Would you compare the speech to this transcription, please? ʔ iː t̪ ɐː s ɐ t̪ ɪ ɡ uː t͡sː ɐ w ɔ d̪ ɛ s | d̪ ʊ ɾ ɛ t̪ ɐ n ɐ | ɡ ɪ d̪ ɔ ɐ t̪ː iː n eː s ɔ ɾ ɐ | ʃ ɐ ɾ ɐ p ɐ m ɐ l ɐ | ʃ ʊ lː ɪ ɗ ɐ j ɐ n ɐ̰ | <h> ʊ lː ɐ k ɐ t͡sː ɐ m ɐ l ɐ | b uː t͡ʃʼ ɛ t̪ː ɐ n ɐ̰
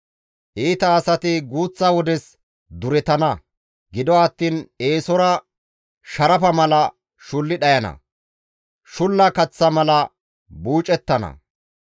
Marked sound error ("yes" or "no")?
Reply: yes